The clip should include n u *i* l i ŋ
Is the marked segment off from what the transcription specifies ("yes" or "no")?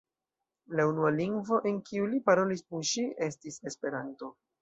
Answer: yes